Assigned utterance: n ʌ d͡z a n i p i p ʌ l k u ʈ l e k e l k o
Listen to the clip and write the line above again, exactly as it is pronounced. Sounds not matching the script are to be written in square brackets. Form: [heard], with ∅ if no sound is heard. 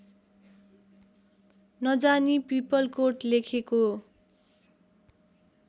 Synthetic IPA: n ʌ d͡z a n i p i p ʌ l k [o] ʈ l e [kʰ] e [∅] k o